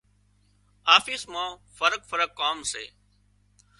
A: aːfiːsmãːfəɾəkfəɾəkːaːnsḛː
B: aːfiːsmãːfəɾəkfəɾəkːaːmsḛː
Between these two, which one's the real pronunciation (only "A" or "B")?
B